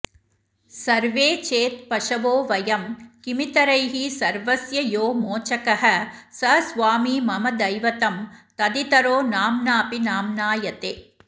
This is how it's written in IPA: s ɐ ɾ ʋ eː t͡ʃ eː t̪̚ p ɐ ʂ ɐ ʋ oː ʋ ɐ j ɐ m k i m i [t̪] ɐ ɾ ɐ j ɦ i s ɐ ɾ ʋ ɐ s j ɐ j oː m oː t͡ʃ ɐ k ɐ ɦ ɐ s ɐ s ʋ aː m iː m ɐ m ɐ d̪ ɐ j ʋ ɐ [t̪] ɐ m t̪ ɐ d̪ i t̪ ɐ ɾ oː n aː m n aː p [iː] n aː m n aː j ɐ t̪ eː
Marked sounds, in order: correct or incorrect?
correct, correct, incorrect

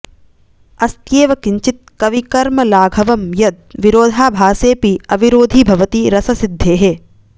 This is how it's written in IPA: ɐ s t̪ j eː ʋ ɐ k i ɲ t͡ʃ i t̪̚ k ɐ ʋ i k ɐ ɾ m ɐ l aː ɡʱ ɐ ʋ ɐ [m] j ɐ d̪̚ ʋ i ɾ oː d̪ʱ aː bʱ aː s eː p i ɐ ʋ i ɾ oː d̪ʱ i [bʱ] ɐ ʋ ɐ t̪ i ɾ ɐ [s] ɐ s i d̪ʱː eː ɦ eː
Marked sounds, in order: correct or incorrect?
correct, correct, correct

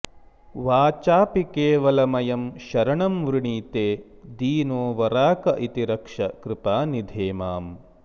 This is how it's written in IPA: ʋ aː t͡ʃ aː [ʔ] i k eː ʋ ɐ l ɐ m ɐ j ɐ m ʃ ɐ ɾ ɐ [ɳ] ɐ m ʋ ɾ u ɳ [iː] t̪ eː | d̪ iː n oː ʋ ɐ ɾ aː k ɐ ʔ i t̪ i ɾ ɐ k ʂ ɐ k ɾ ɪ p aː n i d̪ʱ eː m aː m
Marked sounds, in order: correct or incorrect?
incorrect, correct, correct

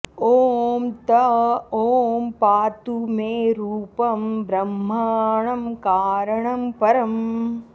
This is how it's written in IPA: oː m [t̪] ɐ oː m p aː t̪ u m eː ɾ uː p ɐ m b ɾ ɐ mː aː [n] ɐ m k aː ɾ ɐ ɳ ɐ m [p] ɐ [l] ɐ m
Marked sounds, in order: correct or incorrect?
correct, incorrect, correct, incorrect

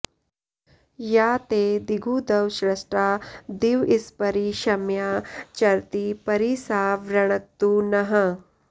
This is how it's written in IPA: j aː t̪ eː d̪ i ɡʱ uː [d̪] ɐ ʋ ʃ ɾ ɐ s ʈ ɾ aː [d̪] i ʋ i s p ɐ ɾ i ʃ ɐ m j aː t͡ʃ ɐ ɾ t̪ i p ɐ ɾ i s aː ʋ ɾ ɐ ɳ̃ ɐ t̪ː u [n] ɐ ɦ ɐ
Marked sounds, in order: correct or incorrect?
correct, correct, correct

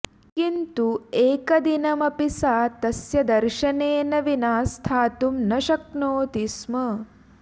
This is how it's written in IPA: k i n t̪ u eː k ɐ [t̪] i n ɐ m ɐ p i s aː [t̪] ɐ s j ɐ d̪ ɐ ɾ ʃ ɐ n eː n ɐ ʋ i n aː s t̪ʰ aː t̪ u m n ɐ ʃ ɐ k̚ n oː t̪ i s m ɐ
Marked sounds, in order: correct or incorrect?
incorrect, correct

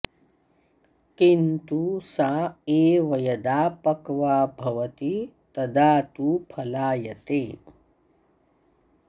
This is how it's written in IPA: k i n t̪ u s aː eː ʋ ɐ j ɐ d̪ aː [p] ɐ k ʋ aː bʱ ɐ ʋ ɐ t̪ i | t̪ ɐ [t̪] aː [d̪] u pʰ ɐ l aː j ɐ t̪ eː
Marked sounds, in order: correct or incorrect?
correct, incorrect, incorrect

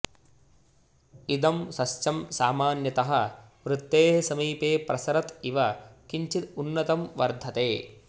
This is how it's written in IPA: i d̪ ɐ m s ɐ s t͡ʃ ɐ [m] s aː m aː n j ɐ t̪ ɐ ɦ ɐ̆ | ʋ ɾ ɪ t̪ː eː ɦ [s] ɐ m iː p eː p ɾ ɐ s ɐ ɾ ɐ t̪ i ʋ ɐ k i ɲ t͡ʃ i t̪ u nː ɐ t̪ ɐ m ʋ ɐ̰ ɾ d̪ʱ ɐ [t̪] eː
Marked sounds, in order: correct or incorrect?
correct, correct, correct

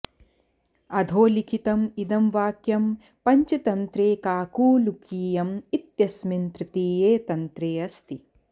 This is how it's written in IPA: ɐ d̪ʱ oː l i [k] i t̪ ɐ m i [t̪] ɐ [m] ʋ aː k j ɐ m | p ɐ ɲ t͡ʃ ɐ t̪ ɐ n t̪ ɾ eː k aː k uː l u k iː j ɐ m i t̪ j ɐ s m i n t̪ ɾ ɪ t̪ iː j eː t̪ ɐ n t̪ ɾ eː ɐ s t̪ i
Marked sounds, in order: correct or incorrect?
incorrect, incorrect, correct

